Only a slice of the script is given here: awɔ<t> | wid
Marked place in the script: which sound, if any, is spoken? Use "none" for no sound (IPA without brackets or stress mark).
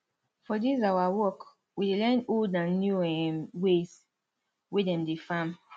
k